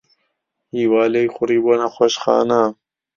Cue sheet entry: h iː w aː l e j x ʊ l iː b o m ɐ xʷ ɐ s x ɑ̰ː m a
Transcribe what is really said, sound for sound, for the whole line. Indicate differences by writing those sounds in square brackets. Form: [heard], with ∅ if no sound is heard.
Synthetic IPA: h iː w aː l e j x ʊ [ɾ] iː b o [n] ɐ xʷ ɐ [ʃ] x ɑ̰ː [n] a